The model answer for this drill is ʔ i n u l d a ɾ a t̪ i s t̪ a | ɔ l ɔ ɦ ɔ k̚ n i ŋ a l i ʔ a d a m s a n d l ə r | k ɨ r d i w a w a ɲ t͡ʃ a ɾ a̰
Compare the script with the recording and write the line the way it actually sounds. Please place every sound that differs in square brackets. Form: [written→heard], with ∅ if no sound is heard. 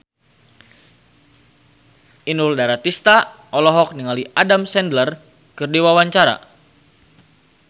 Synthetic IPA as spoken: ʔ i n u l d a ɾ a t̪ i s t̪ a | ɔ l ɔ ɦ ɔ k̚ n i ŋ a l i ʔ a d a m s [a→ɛ] n d l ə r | k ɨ r d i w a w a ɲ t͡ʃ a ɾ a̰